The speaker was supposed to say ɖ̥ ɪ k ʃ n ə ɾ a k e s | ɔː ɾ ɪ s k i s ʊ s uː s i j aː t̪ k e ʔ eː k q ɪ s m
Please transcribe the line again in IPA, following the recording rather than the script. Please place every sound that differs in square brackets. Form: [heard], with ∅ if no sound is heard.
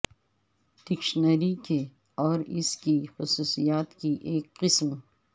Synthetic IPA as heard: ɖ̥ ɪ k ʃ n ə ɾ [i] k e [∅] | ɔː ɾ ɪ s k i [x] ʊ s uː s i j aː t̪ k [i] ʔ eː k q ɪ s m